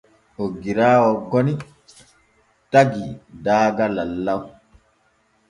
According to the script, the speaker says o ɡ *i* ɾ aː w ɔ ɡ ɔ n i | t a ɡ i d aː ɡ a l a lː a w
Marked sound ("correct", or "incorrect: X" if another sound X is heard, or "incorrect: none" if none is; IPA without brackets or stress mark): correct